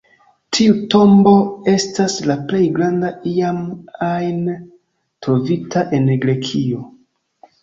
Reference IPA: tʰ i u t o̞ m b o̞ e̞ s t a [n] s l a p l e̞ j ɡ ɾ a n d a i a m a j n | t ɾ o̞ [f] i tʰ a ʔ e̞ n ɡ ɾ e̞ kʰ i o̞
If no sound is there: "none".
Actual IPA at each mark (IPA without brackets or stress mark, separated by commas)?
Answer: none, v